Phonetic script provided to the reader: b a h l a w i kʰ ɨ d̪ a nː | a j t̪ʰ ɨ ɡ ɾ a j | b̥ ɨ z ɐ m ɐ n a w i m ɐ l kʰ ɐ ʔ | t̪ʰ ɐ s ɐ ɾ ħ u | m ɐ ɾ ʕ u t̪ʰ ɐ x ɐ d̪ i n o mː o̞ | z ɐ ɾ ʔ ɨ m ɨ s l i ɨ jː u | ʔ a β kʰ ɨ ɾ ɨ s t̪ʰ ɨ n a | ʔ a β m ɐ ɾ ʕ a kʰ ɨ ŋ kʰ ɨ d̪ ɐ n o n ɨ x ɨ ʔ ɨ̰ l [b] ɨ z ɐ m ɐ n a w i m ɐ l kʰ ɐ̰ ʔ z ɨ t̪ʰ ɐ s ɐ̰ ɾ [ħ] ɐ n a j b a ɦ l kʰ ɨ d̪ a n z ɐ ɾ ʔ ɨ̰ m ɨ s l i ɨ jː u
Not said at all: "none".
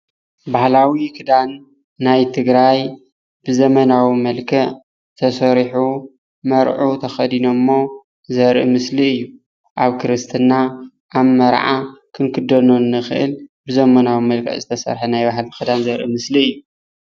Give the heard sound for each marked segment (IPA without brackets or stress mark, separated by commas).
b, ħ